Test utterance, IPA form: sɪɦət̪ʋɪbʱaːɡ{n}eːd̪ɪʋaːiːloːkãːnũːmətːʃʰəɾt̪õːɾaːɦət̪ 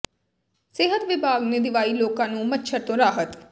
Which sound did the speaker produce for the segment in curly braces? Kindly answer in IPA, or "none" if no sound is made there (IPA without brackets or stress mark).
n